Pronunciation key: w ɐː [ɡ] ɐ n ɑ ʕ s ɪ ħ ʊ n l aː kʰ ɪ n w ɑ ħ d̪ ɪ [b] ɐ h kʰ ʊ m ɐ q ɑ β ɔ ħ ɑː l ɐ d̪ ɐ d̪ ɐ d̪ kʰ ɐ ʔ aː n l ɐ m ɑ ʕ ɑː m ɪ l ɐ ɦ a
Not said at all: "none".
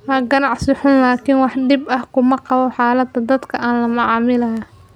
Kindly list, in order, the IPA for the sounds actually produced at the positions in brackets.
ɡ, b

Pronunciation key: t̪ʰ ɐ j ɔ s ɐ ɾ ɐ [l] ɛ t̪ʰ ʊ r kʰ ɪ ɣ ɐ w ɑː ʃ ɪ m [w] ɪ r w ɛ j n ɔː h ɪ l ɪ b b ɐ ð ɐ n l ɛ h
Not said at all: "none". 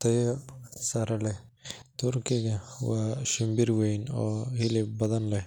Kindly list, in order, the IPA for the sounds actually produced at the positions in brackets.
l, b

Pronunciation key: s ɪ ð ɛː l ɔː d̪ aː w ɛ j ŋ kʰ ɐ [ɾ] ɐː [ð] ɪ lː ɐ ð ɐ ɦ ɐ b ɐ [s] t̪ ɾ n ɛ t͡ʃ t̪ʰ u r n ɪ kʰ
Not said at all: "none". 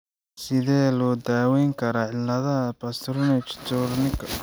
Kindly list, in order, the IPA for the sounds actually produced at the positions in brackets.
ɾ, ʕ, s

